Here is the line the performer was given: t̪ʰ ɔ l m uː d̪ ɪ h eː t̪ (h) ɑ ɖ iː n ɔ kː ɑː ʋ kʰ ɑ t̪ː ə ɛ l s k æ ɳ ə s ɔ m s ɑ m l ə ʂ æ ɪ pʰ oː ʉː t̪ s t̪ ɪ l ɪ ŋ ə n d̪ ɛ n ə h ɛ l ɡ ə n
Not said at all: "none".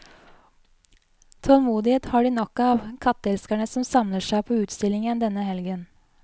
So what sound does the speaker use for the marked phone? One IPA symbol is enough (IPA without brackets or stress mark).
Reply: h